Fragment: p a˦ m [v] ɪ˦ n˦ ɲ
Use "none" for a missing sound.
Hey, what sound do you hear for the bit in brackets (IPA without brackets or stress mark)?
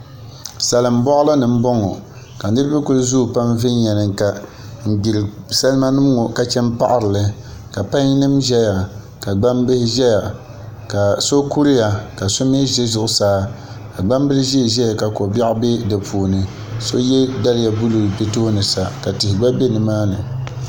v